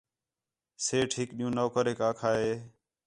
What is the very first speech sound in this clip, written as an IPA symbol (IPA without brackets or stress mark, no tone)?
s